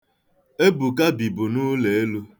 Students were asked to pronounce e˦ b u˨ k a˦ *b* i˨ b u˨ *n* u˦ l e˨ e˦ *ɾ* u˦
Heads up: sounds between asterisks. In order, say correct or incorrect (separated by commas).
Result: correct, correct, incorrect